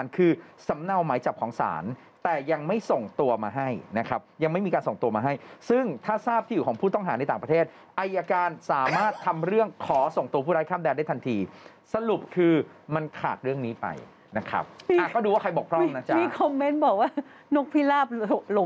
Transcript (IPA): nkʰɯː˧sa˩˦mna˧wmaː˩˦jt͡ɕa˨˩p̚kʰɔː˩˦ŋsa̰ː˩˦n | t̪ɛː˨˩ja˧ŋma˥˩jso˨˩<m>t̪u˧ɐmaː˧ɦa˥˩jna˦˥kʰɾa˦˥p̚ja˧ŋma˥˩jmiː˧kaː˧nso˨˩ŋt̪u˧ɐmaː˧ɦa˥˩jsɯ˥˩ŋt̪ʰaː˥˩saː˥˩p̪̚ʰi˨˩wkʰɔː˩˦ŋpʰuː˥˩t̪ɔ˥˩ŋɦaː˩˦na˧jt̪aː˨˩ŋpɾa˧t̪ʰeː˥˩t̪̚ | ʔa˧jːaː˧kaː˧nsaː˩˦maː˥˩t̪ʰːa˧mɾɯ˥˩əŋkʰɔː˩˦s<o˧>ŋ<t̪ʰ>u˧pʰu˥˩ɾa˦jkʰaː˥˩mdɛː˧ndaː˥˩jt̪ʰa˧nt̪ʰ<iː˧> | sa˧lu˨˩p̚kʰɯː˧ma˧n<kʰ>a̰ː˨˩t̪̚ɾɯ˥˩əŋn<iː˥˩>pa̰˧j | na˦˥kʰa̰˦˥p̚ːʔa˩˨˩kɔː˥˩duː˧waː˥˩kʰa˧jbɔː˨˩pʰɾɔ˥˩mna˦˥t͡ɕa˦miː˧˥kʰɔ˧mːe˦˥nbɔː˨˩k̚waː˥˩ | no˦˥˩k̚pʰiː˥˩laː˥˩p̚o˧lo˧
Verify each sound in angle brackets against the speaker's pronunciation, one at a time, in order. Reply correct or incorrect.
incorrect: ŋ, incorrect: o˨˩, incorrect: t̪, correct, correct, incorrect: iː˦˥

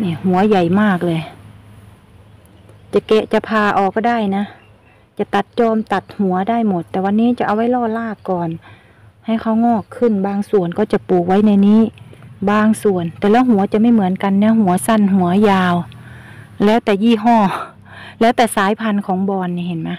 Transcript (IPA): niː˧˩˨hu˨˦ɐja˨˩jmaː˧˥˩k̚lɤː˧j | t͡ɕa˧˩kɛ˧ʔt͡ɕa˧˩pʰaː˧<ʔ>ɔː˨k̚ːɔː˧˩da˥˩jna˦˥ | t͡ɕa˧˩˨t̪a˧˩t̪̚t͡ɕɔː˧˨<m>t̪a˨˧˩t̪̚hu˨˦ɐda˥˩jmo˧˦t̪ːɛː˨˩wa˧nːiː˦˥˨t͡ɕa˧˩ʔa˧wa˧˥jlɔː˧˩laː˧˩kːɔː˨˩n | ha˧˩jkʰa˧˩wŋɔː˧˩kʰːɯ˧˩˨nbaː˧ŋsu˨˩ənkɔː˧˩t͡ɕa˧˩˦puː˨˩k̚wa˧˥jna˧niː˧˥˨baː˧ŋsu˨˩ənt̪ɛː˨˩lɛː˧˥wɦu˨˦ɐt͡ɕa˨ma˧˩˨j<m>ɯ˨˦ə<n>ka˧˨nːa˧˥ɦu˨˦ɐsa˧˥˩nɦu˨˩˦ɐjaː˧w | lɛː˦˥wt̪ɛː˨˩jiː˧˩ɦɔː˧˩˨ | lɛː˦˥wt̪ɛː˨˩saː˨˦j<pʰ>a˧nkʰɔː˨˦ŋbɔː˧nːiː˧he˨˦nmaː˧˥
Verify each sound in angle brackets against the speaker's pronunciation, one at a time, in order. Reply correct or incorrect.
correct, correct, correct, correct, correct

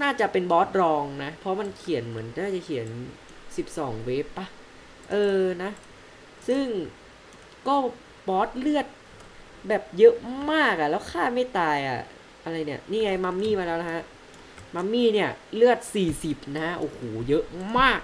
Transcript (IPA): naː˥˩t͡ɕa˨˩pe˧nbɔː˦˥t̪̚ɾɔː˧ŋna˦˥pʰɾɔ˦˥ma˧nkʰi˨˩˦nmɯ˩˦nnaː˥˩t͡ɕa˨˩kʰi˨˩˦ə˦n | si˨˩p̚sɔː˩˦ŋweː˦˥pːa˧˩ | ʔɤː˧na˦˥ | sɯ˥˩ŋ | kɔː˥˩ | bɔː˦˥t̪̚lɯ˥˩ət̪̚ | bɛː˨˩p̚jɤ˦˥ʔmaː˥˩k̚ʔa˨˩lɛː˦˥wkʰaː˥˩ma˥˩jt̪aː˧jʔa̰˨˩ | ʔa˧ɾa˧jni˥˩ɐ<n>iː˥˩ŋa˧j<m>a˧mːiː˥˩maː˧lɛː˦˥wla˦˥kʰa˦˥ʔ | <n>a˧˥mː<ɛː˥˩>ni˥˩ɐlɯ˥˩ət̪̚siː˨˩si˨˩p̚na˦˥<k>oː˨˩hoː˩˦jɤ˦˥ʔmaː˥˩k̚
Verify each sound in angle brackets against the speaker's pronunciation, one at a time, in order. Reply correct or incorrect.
correct, correct, incorrect: m, incorrect: iː˥˩, incorrect: ʔ

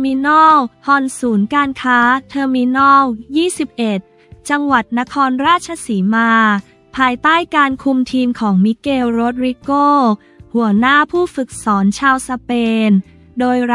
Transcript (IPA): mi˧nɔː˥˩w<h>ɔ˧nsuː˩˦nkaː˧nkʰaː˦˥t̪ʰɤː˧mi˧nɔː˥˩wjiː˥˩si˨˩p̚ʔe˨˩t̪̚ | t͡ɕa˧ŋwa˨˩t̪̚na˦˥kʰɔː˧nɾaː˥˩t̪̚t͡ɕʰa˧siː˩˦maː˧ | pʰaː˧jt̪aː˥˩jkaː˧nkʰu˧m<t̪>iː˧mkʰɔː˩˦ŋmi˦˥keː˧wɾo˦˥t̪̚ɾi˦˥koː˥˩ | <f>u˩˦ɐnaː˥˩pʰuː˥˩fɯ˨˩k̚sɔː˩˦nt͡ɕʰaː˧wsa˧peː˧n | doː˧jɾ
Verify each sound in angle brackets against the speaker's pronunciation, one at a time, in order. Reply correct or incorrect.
correct, incorrect: t̪ʰ, incorrect: h

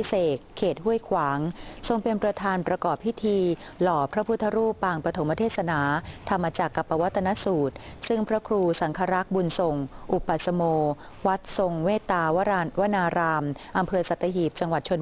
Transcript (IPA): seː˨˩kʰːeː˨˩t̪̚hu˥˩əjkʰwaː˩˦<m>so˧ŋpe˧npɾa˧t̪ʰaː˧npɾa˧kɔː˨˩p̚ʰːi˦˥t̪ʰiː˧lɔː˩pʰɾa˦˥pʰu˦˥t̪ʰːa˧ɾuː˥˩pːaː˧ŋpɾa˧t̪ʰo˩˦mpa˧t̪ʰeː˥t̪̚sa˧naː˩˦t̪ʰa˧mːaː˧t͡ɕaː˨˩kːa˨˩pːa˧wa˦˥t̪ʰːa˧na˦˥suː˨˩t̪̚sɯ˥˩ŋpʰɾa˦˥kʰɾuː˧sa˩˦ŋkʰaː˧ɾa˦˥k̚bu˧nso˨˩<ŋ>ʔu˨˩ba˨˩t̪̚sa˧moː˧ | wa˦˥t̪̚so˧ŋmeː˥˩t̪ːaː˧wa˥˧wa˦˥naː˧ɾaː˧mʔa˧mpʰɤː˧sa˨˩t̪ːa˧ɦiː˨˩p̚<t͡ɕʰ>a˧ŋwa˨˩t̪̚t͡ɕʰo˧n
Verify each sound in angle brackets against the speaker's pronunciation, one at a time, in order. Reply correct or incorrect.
incorrect: ŋ, correct, incorrect: t͡ɕ

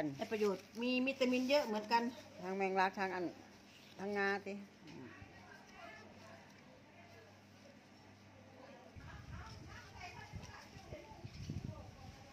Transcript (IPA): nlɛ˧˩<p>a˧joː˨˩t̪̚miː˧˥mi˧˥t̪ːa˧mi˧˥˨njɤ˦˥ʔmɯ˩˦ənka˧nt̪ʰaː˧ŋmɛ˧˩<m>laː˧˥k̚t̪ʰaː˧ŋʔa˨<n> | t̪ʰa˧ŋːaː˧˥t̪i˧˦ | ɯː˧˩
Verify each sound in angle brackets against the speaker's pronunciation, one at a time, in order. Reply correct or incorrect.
correct, incorrect: ŋ, correct

